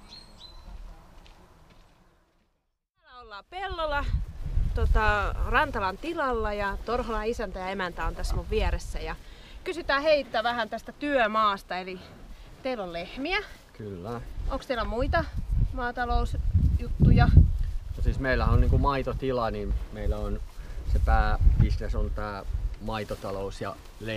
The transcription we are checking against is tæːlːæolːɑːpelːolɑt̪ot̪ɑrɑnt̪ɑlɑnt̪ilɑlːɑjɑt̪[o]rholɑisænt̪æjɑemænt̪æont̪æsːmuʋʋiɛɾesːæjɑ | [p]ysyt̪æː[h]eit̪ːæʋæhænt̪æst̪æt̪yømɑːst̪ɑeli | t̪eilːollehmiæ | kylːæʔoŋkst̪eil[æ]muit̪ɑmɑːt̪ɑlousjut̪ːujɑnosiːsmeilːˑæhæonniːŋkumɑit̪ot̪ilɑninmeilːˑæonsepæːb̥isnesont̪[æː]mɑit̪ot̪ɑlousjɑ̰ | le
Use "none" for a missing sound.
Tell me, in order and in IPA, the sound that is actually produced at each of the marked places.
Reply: o, k, h, æ, æː

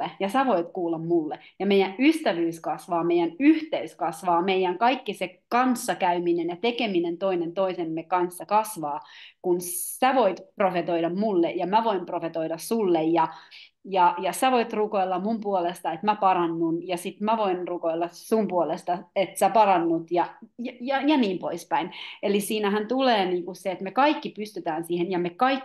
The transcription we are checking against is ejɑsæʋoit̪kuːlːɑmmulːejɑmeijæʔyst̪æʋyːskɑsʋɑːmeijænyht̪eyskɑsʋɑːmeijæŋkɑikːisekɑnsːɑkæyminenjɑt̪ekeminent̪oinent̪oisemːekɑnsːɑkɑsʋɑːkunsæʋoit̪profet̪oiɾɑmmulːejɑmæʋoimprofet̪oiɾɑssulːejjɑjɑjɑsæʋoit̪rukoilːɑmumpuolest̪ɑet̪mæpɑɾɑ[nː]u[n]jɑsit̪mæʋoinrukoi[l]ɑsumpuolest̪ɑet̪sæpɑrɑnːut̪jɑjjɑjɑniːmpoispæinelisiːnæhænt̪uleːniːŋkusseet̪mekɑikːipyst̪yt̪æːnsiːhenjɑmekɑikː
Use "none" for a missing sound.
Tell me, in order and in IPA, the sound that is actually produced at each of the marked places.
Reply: nː, n, lː

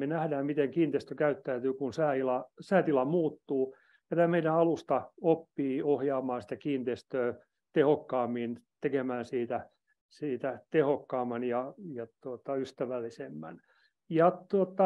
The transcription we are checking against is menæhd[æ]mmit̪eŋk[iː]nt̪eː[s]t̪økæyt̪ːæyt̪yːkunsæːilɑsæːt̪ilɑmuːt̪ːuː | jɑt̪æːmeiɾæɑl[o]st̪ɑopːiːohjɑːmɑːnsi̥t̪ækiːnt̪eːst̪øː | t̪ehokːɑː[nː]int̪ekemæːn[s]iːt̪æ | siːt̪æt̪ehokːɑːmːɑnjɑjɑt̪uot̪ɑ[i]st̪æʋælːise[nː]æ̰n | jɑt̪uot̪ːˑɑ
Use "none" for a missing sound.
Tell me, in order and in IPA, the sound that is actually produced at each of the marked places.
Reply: æː, iː, s, u, mː, s, y, mː

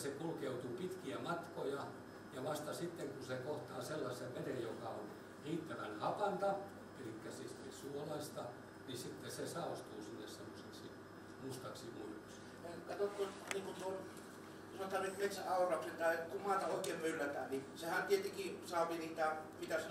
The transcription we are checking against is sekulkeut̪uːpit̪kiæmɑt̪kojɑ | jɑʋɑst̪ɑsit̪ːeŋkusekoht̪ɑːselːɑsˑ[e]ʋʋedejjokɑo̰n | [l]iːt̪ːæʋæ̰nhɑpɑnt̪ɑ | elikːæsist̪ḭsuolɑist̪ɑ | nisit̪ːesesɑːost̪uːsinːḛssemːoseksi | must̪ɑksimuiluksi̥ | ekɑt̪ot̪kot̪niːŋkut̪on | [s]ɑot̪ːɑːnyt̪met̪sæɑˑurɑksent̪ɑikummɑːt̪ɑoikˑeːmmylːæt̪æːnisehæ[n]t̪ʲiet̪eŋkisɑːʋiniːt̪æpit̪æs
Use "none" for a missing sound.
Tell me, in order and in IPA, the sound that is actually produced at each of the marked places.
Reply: e, r, s, n

